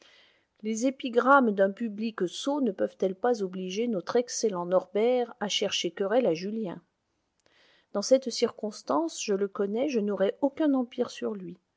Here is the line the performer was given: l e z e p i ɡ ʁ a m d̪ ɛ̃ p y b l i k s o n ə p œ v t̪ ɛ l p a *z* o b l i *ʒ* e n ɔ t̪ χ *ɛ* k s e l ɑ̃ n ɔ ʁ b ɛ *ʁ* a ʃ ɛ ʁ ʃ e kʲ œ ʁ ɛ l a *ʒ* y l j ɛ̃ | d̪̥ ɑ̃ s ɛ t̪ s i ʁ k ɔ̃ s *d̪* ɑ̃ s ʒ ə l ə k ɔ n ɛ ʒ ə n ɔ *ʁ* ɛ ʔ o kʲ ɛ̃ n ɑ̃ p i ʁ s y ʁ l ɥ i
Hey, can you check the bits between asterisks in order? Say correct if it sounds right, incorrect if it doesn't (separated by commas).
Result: correct, correct, correct, correct, correct, incorrect, correct